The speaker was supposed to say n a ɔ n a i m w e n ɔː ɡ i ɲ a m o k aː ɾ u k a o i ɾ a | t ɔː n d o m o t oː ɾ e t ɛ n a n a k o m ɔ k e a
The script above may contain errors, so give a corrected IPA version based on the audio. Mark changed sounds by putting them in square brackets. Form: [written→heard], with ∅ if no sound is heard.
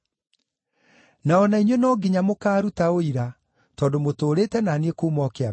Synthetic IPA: n a ɔ n a i [m→ɲ] w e n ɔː ɡ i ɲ a m o k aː ɾ u [k→t] a o i ɾ a | t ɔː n d o m o t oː ɾ e t ɛ n a n [a→e] k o m ɔ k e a